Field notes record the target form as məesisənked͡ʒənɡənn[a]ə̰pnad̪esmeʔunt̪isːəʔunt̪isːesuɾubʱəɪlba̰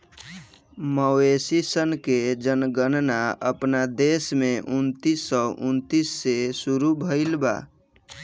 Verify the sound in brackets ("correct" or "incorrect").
correct